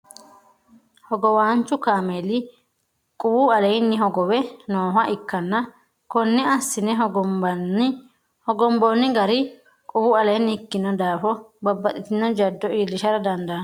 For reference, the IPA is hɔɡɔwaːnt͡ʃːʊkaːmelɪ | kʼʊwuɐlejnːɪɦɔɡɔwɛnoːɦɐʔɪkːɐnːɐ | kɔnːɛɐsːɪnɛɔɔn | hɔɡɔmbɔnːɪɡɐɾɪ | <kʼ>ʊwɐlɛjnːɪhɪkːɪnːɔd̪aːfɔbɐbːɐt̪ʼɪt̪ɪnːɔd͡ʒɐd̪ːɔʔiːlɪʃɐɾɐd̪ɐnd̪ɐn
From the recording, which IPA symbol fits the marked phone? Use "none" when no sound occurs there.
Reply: kʼ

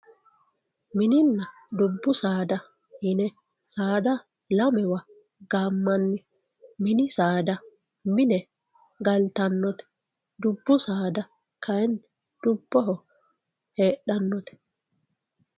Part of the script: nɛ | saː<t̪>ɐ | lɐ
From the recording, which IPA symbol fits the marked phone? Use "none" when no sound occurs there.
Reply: d̪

